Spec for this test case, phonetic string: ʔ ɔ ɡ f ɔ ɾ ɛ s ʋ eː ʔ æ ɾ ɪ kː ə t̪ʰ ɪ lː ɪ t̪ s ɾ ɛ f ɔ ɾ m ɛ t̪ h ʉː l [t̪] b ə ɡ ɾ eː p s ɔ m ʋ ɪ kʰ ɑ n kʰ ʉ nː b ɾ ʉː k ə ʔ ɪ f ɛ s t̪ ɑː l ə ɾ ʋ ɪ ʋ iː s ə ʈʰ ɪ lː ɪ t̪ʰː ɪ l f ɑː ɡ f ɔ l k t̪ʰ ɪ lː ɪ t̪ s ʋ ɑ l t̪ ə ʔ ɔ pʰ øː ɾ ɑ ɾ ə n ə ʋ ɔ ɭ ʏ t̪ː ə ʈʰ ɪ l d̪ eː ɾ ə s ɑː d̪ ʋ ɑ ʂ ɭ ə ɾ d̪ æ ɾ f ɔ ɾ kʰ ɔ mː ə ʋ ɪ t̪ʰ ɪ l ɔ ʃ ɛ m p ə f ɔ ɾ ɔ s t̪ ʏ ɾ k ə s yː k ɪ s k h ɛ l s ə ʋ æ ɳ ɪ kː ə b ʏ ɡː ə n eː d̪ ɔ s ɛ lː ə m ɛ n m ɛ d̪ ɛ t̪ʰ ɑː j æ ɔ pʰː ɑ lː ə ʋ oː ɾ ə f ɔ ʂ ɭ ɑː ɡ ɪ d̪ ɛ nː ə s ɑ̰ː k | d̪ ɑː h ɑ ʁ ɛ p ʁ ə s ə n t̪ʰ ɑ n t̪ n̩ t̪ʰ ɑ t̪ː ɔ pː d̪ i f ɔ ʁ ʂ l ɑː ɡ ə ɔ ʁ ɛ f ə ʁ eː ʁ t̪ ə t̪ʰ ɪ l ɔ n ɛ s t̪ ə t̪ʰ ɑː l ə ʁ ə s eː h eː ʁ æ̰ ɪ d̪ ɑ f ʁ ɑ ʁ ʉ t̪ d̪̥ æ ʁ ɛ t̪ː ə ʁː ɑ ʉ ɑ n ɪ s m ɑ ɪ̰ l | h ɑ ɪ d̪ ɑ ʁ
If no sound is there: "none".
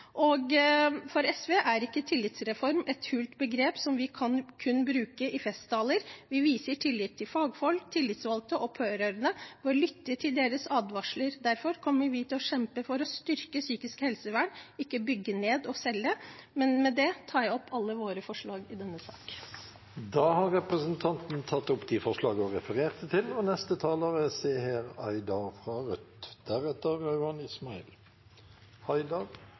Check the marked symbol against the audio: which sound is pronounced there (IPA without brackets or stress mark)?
t̪